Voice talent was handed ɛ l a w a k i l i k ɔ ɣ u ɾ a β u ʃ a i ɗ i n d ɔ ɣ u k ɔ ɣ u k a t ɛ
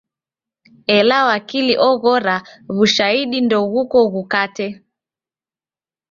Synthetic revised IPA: ɛ l a w a k i l i ʔ ɔ ɣ ɔ ɾ a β u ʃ a i ɗ i n d ɔ ɣ u k ɔ ɣ u k a t ɛ